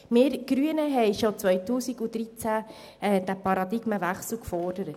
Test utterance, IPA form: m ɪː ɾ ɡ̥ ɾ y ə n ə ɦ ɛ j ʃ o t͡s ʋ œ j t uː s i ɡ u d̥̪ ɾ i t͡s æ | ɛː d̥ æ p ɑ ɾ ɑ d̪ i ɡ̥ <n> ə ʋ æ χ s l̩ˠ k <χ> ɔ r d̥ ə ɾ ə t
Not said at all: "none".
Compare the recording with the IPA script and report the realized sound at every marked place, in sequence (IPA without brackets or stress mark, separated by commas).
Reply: m, f